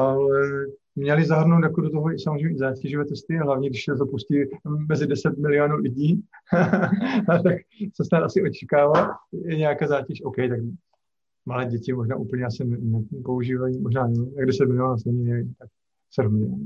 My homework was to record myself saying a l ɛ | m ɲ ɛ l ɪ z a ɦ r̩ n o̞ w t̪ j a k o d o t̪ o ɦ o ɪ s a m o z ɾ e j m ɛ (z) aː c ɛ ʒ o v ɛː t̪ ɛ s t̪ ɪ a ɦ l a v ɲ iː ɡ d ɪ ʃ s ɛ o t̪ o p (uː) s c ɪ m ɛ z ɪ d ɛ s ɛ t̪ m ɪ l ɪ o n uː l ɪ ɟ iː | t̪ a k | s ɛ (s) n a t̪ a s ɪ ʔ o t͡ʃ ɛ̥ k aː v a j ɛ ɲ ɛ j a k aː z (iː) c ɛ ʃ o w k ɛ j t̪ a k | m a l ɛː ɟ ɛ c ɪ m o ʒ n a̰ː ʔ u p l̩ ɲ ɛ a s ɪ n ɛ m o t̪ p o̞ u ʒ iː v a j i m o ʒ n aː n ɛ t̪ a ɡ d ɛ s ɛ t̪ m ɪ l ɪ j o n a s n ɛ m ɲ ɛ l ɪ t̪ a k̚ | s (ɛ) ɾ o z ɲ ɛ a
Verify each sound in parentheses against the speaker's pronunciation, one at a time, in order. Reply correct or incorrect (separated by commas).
correct, incorrect, correct, incorrect, correct